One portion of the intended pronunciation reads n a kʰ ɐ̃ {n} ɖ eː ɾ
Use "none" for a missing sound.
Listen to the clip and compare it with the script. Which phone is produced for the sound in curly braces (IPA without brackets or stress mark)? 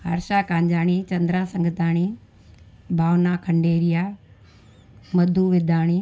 ɳ